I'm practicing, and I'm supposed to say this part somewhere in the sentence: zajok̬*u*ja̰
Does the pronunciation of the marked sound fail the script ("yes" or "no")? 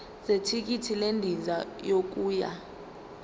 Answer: yes